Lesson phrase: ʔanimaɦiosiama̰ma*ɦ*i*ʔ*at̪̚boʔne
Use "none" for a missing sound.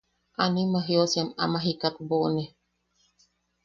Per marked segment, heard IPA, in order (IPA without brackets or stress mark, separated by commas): ɦ, k